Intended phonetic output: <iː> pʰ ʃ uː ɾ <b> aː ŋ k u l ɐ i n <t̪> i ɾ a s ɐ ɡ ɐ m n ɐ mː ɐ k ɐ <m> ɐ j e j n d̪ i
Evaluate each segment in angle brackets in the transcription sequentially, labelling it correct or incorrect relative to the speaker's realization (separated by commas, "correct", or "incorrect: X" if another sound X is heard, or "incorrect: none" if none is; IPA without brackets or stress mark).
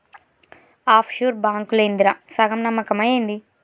incorrect: aː, correct, incorrect: d̪, correct